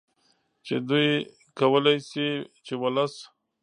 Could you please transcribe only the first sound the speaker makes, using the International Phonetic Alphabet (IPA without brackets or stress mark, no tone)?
t͡ʃ